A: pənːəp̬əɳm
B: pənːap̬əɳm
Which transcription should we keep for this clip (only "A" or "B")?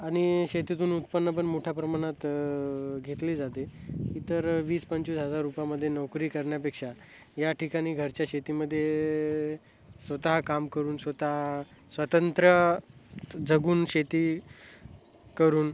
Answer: A